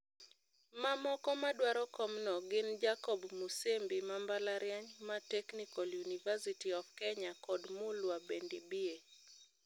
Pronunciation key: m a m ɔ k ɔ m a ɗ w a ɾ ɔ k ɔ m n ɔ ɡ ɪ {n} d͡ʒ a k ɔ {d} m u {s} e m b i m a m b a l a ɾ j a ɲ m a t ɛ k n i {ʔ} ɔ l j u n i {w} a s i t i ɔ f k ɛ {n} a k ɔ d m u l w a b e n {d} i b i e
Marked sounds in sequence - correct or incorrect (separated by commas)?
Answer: correct, incorrect, correct, incorrect, incorrect, incorrect, correct